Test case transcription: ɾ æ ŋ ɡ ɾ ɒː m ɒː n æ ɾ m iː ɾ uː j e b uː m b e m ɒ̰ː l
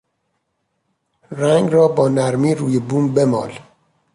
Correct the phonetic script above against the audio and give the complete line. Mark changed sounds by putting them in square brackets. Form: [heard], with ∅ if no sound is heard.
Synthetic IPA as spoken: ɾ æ ŋ ɡ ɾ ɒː [b] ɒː n æ ɾ m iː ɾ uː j e b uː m b e m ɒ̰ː l